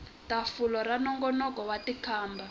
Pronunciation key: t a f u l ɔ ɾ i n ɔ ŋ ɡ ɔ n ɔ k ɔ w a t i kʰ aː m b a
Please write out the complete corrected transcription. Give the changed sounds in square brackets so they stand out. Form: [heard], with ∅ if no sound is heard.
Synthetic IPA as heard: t a f u l ɔ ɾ [a] n ɔ ŋ ɡ ɔ n ɔ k ɔ w a t i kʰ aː m b a